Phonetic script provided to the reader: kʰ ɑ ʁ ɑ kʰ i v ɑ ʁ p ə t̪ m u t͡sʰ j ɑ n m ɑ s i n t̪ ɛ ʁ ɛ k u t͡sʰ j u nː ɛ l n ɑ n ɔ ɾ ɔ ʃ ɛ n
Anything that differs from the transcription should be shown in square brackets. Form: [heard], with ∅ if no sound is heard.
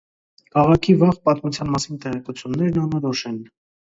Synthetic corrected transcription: kʰ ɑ ʁ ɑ kʰ i v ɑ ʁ p [ɑ] t̪ m u t͡sʰ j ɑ n m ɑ s i n t̪ ɛ ʁ ɛ k u t͡sʰ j u nː ɛ [ɾ] n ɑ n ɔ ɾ ɔ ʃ ɛ n